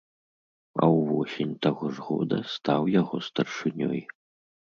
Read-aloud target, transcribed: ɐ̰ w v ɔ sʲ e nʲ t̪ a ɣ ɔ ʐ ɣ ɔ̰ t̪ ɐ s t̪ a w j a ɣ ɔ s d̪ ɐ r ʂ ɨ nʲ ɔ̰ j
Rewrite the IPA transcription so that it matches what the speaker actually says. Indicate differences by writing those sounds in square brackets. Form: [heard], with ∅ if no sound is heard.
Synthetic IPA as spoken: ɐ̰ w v ɔ sʲ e nʲ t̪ a ɣ ɔ ʐ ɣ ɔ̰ [d̪] ɐ s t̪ a w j a ɣ ɔ s [t̪] ɐ r ʂ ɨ nʲ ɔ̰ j